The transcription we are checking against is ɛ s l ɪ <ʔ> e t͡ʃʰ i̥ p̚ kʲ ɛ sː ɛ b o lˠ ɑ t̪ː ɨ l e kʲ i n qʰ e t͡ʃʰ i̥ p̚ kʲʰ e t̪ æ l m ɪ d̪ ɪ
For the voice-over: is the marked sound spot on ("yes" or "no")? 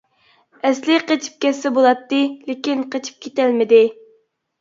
no